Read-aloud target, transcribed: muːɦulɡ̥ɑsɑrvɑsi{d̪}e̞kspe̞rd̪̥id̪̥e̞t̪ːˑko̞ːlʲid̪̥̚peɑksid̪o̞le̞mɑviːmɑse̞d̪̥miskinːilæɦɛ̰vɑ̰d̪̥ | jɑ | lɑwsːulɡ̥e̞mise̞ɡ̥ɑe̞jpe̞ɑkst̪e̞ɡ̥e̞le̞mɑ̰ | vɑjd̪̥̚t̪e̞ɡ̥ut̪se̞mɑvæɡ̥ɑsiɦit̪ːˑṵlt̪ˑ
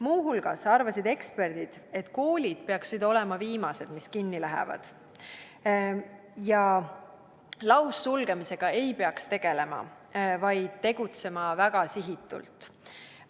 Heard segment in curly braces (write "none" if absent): d̪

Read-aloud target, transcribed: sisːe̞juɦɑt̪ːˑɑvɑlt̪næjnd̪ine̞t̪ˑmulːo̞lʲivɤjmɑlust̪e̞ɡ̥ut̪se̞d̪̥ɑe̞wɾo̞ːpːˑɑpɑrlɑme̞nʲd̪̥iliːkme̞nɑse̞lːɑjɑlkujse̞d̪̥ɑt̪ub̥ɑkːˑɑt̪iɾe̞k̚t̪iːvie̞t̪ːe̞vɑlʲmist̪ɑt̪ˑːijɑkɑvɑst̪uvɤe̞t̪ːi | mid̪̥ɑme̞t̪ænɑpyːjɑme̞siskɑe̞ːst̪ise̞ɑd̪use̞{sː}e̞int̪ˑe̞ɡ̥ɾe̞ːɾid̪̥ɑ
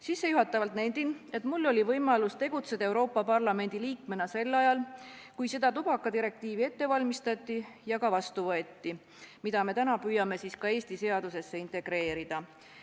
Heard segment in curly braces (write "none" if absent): sː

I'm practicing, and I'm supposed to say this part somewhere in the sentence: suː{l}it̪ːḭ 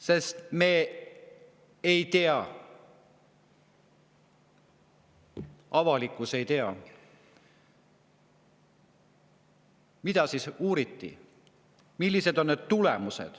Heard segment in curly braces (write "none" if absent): ɾ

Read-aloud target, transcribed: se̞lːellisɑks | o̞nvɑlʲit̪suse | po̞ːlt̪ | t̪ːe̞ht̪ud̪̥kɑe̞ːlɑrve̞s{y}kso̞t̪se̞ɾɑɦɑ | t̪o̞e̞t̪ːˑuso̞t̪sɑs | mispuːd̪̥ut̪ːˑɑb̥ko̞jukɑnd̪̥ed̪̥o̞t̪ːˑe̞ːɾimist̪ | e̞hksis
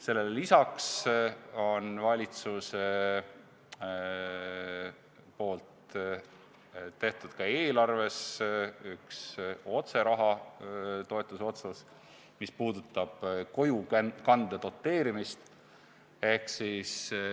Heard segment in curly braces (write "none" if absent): y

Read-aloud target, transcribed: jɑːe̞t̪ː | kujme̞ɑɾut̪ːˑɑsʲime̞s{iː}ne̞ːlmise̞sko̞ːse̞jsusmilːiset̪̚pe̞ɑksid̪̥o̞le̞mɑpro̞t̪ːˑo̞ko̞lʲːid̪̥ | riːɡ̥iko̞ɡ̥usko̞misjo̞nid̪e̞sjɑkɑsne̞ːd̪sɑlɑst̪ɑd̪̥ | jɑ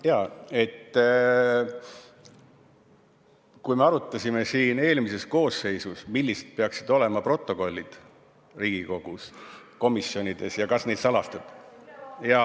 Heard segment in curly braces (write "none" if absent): iː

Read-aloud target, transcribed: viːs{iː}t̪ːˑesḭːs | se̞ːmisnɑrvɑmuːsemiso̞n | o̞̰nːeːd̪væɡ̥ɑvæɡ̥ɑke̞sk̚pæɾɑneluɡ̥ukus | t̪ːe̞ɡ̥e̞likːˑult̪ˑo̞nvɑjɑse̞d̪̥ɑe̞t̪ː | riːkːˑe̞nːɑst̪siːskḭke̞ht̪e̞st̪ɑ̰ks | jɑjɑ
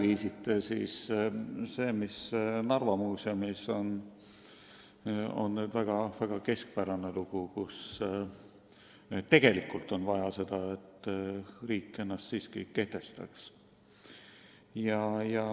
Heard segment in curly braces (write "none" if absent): i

